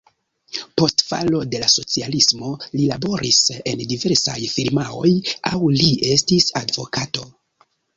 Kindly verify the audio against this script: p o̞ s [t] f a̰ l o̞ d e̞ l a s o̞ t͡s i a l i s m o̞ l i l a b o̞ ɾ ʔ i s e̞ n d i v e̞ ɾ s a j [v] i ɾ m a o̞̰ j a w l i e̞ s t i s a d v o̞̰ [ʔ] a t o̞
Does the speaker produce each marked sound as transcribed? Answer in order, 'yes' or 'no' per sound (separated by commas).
yes, no, no